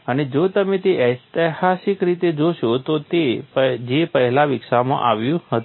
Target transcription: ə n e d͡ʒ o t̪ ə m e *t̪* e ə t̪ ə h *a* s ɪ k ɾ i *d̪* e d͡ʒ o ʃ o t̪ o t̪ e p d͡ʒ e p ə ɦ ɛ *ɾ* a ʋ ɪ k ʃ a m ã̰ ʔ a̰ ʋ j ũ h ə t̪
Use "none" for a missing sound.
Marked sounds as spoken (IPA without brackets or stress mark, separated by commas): t̪, a, t̪, l